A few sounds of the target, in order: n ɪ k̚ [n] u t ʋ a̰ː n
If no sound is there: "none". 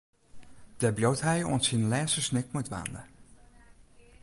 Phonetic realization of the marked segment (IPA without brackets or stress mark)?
m